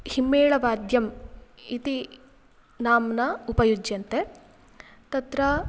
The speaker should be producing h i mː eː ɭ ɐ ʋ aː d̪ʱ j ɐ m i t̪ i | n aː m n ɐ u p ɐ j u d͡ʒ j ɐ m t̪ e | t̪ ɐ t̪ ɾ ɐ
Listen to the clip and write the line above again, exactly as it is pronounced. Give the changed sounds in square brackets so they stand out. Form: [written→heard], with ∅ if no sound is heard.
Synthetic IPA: h i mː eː ɭ ɐ ʋ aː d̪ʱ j ɐ m i t̪ i | n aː m n ɐ u p ɐ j u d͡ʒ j ɐ [m→n] t̪ e | t̪ ɐ t̪ ɾ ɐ